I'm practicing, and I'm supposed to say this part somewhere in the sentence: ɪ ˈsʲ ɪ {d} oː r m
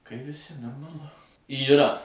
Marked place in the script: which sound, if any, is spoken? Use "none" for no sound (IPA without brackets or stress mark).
n